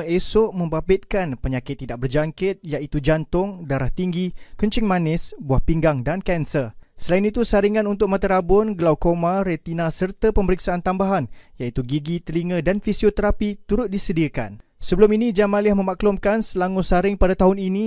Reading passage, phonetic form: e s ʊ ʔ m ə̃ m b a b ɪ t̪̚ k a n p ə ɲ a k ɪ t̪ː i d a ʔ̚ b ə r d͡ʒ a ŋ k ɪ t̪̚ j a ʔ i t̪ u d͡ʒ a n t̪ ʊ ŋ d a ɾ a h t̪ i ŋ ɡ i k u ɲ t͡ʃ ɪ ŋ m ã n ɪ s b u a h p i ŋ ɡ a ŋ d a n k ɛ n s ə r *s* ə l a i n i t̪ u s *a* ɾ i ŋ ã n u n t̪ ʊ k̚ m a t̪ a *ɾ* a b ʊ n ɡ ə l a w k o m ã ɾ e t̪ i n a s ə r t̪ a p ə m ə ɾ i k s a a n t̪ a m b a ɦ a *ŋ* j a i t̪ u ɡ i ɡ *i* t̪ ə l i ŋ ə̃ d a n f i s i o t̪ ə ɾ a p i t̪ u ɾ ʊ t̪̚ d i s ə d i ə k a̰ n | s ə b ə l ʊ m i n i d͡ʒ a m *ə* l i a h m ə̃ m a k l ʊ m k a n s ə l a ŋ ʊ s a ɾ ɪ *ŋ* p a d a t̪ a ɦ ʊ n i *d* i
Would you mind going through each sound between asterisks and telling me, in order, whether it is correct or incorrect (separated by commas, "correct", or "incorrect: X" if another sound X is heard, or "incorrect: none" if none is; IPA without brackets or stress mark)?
correct, correct, correct, incorrect: n, correct, incorrect: a, correct, incorrect: n